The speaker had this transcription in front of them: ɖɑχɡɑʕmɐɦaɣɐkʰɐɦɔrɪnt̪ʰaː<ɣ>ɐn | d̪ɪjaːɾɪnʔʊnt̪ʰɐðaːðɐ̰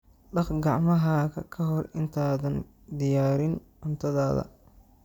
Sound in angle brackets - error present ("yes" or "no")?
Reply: yes